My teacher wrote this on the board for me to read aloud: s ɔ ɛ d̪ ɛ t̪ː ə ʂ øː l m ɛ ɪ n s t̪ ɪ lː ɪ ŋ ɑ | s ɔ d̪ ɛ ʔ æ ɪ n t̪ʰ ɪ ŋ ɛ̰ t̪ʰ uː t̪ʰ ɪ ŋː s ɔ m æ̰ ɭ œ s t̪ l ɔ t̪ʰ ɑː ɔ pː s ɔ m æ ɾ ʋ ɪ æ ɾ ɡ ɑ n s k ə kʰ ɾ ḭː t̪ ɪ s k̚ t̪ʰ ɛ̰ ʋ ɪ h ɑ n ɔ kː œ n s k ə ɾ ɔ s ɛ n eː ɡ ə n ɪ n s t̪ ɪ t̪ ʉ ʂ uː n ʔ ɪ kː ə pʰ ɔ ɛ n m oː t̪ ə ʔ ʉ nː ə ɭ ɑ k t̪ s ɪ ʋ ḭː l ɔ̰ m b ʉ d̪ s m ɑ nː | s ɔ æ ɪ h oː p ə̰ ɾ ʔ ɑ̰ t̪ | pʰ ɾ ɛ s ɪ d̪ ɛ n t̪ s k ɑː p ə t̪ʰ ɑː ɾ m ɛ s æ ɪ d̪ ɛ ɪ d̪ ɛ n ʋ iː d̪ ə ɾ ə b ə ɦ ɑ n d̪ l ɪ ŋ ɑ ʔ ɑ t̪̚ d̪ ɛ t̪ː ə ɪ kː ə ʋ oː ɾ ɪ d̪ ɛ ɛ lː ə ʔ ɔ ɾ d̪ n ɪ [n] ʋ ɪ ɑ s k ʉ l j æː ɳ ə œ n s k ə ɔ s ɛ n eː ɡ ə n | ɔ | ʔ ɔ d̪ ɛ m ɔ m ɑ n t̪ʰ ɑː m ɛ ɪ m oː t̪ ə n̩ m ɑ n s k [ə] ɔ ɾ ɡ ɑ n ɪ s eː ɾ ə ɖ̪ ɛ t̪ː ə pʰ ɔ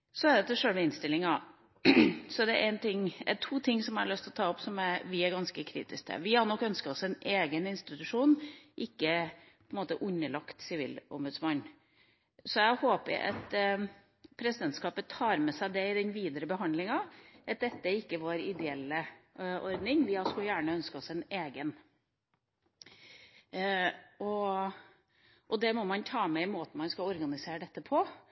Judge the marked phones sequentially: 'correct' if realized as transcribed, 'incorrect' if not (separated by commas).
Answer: incorrect, incorrect